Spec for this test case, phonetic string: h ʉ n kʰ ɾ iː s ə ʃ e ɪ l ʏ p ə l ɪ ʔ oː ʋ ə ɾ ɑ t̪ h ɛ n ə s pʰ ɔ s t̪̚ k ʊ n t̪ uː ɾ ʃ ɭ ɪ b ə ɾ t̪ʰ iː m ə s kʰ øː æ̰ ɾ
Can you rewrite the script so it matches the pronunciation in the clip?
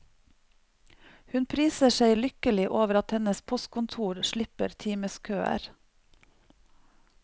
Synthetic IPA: h ʉ n pʰ ɾ iː s ə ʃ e ɪ l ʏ k ə l ɪ ʔ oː ʋ ə ɾ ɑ t̪ h ɛ n ə s pʰ ɔ s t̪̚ k ʊ n t̪ʰ uː ɾ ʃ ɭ ɪ p ə ɾ t̪ʰ iː m ə s kʰ øː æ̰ ɾ